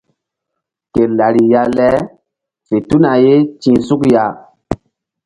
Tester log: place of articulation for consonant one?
velar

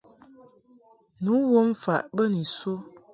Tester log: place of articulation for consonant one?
alveolar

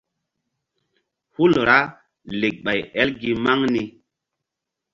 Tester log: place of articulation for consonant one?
glottal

